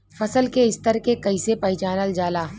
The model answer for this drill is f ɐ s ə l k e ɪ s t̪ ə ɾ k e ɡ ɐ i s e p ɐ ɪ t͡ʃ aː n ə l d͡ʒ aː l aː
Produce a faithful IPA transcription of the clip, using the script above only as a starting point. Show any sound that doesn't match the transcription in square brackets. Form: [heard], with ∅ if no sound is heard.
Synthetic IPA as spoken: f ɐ s ə l k e ɪ s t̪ ə ɾ k e [k] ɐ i s e p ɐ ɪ t͡ʃ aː n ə l d͡ʒ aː l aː